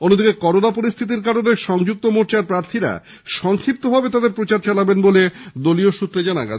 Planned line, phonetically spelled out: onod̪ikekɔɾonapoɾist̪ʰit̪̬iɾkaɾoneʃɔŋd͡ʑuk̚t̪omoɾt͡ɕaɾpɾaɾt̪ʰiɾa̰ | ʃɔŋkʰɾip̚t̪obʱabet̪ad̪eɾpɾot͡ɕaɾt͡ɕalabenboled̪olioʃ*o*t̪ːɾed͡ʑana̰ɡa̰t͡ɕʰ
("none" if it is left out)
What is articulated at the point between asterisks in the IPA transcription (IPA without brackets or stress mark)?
u